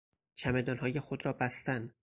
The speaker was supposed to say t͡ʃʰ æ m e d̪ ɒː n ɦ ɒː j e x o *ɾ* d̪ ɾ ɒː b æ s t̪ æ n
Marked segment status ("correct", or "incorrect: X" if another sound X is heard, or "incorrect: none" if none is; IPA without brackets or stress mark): incorrect: none